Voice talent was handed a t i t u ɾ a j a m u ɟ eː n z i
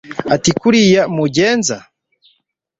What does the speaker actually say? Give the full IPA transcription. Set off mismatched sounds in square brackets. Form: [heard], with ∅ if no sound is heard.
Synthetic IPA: a t i [k] u ɾ [i] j a m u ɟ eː n z [a]